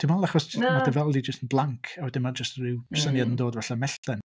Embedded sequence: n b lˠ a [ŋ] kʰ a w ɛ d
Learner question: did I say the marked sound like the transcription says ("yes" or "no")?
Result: yes